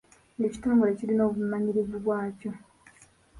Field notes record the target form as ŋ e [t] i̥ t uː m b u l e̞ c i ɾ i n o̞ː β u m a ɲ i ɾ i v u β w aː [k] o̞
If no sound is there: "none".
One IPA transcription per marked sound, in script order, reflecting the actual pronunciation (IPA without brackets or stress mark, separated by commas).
c, c